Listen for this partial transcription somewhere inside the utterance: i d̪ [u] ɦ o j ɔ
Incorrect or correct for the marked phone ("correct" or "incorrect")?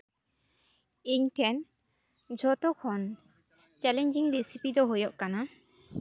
incorrect